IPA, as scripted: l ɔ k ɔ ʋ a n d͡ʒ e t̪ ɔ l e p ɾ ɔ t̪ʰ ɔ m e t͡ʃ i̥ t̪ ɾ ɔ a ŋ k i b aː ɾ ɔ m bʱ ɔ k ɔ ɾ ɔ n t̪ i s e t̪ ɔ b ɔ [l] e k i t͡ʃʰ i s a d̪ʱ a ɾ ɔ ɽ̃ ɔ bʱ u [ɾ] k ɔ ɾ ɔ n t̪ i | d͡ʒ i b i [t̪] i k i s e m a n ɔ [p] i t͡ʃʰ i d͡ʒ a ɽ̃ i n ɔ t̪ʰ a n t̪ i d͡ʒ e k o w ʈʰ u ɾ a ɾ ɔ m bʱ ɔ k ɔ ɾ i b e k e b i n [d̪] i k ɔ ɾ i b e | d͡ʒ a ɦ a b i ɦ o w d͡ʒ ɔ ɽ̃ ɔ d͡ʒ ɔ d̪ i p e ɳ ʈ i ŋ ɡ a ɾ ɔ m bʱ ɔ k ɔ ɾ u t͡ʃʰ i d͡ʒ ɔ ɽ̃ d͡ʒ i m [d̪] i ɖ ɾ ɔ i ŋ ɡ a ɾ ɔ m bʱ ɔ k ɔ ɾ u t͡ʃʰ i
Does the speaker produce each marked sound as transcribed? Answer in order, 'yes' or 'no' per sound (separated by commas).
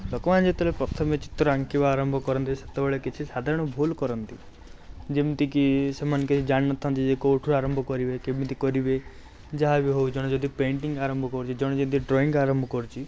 no, no, yes, no, no, no